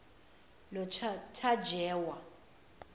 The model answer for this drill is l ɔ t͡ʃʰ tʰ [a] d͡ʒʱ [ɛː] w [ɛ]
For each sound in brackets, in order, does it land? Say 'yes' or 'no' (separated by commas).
yes, yes, no